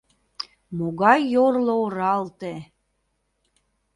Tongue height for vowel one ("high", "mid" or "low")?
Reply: mid